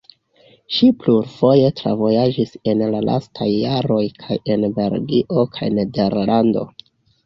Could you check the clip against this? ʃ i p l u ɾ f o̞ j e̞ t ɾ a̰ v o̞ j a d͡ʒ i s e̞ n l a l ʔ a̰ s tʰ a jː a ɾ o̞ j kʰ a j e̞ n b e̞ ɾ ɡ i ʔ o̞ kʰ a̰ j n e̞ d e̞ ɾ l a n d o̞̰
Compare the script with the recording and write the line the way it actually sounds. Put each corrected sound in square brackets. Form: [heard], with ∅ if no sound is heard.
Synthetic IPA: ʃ i p l u ɾ f o̞ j e̞ t ɾ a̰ v o̞ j a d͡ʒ i s e̞ n l a l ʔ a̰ s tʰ a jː a ɾ o̞ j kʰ a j e̞ n b e̞ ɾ ɡ i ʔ o̞ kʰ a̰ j n e̞ d e̞ ɾ l a n d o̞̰